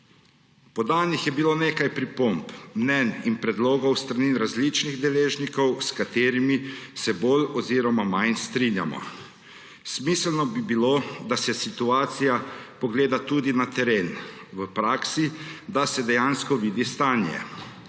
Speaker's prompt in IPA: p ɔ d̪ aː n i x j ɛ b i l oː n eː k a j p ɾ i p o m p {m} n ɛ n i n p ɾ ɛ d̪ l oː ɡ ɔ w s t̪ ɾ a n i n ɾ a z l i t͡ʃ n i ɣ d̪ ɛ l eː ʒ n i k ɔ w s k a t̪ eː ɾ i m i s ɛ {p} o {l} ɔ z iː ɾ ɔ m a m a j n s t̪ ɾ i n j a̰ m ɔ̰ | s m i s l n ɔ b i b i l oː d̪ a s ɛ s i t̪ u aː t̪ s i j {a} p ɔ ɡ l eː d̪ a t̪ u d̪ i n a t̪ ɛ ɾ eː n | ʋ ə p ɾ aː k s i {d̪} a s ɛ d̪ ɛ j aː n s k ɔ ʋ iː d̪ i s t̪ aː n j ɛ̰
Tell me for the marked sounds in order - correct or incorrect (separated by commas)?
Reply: correct, incorrect, correct, correct, correct